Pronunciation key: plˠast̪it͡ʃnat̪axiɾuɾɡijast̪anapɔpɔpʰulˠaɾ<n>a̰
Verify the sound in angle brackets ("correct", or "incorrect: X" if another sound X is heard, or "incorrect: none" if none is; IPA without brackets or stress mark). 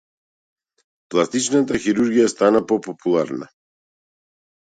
correct